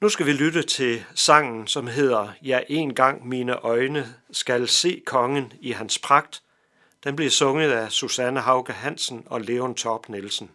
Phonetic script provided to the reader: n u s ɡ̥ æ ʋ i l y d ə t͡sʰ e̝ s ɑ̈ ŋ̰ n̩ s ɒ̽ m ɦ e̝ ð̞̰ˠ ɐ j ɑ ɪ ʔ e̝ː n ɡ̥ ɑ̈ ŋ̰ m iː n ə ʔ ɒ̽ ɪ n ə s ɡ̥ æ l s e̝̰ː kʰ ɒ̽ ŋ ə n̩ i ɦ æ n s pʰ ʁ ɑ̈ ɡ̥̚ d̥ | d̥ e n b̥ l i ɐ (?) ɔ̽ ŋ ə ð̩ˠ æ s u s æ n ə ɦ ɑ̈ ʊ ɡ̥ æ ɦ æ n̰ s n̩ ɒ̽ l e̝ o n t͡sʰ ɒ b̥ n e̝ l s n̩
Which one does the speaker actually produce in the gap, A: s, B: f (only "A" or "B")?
A